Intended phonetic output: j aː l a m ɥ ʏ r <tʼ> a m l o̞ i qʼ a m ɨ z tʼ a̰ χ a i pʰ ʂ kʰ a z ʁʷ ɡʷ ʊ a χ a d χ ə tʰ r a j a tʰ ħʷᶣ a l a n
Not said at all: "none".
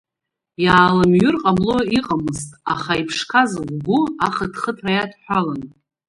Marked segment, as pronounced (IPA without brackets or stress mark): qʼ